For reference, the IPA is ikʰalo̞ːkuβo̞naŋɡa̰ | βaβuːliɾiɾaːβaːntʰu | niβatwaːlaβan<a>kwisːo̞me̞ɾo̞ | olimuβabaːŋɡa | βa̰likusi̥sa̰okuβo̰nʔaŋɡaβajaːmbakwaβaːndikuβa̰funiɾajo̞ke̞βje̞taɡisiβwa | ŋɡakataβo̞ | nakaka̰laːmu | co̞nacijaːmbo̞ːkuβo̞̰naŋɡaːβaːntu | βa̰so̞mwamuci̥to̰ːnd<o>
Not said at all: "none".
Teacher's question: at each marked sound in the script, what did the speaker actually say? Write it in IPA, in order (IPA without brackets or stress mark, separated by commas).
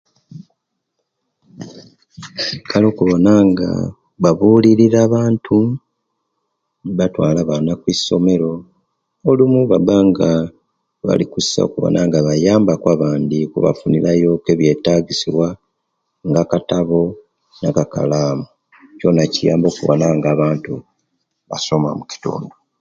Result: a, o